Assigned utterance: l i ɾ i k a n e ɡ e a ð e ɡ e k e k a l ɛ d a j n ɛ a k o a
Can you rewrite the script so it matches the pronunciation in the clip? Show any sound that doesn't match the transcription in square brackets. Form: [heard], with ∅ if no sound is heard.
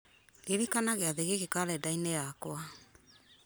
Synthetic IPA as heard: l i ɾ i k a n [a] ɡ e a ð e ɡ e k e k a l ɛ d a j n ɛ a k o a